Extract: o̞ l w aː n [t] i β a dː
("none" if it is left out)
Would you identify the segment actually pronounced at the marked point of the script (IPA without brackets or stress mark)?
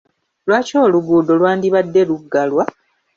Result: d